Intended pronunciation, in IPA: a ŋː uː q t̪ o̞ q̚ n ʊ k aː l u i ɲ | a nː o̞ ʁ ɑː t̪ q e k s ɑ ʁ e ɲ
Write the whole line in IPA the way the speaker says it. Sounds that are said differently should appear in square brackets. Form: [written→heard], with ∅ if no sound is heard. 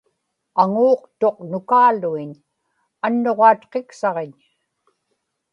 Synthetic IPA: a [ŋː→ŋ] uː q t̪ o̞ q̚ n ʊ k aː l u i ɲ | a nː o̞ ʁ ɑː t̪ q e k s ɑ ʁ e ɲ